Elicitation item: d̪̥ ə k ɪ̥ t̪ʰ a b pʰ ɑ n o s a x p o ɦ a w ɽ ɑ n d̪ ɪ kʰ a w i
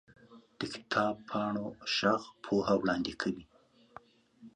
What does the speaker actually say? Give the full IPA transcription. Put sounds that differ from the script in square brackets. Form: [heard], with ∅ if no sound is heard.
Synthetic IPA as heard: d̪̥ ə k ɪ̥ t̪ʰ [ɑ] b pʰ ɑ [ɳ] o [ʃ] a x [pʰ] o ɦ a w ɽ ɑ n d̪ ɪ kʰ a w i